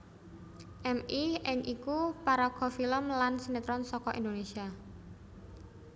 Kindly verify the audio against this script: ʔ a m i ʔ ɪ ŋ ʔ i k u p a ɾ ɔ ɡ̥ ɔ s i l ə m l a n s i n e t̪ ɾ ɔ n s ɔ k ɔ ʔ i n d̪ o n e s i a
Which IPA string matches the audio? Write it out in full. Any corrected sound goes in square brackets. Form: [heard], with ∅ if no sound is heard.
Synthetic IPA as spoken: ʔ [ɛ] m i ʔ ɪ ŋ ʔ i k u p a ɾ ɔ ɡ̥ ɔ [f] i l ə m l a n s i n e t̪ ɾ ɔ n s ɔ k ɔ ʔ i n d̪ o n e s i a